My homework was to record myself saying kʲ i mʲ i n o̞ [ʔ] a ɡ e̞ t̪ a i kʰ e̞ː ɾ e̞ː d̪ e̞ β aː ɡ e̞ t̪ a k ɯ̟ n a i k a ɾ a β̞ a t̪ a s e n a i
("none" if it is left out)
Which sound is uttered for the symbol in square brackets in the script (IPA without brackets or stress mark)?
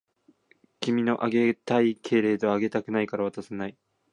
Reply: ʔ